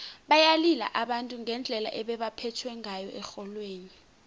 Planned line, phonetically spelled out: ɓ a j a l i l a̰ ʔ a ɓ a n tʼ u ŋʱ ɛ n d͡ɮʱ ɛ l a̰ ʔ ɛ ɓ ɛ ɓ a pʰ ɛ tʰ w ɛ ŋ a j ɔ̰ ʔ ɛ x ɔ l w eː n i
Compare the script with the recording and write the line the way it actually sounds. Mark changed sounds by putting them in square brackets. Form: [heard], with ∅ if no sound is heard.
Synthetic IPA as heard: ɓ a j a l i l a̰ ʔ a ɓ a n tʼ u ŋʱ ɛ n d͡ɮʱ ɛ l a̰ ʔ ɛ ɓ ɛ ɓ a pʰ ɛ tʰ w ɛ ŋ a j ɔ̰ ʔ ɛ x ɔ l w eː n i